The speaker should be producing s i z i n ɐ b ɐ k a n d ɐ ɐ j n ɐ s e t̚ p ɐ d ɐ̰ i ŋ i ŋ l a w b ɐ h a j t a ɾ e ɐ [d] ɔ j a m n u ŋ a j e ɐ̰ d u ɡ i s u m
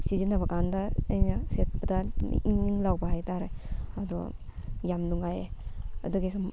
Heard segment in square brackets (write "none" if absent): d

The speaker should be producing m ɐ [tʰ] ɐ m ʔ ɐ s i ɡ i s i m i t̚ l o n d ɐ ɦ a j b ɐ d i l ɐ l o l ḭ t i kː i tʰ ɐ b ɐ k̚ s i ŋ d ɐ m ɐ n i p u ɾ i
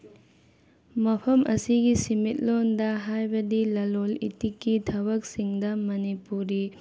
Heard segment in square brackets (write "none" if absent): pʰ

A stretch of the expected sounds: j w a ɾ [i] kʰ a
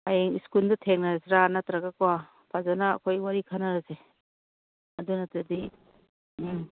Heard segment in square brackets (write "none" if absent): i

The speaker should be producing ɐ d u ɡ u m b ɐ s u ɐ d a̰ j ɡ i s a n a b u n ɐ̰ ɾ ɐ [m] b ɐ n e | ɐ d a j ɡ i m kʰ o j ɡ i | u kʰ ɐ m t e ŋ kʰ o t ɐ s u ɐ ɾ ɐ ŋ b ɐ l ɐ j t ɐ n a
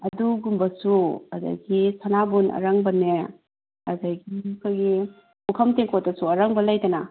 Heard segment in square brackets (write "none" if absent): ŋ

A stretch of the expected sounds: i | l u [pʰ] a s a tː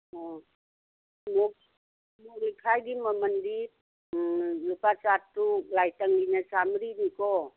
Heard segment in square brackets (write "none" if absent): p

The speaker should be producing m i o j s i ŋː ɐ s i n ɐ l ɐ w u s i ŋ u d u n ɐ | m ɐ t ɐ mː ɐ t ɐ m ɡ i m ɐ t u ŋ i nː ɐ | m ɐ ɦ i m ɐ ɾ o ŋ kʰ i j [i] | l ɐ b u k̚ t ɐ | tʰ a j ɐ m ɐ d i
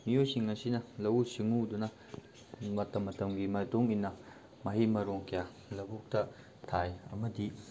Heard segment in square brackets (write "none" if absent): a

